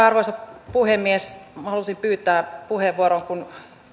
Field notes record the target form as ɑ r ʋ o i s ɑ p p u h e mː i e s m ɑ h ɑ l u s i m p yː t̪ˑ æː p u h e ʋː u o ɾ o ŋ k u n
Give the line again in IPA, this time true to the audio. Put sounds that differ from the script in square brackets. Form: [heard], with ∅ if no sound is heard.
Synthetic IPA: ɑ r ʋ o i s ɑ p p u h e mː i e s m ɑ h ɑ l u s i m p yː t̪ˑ æː p u h e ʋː u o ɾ o ŋ k u n

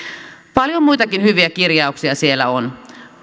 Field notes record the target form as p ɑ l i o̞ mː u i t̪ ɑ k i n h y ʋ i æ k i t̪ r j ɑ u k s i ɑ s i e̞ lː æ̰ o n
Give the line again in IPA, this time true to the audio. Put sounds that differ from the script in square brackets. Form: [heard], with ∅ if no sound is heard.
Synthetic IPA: p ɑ l [j] o̞ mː u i t̪ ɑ k i n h y ʋ i æ k i [∅] r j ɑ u k s i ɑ s i e̞ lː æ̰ o n

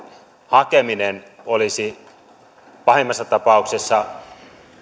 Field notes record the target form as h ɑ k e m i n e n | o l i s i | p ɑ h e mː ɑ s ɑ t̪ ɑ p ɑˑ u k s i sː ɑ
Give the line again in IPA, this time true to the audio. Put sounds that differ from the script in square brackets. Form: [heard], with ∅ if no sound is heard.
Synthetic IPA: h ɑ k e m i n e n | o l i s i | p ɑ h e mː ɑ [sː] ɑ t̪ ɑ p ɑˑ u k s [e] sː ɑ

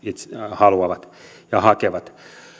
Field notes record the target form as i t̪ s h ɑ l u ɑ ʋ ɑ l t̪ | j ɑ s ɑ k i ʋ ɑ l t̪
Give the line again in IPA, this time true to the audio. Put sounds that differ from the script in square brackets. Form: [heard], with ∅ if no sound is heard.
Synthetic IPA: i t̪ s h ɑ l u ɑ ʋ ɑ [∅] t̪ | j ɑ [h] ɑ k [e] ʋ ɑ [∅] t̪

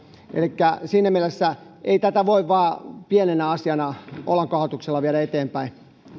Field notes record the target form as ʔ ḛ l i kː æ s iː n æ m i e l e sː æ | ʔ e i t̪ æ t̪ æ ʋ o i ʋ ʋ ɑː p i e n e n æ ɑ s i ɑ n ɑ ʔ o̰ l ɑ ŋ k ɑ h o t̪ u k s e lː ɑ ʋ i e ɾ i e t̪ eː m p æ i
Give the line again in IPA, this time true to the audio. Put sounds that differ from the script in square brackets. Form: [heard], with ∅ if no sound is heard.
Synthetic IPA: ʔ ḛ l i kː æ s iː n æ m i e l e sː æ | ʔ e i t̪ æ t̪ æ ʋ o i ʋ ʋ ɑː p i e n e n æ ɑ s i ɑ n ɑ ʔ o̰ l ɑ ŋ k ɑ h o t̪ u k s e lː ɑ ʋ i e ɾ [æ] e t̪ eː m p æ i

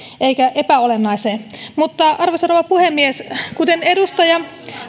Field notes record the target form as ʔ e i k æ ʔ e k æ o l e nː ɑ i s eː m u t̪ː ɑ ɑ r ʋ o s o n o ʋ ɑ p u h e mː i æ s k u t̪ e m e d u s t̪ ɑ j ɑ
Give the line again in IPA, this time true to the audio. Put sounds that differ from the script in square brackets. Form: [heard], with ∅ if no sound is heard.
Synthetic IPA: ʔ e i k æ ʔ e [p] æ o l e nː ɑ i s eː m u t̪ː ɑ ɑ r ʋ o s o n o ʋ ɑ p u h e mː i [e] s k u t̪ e [n] e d u s t̪ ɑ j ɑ

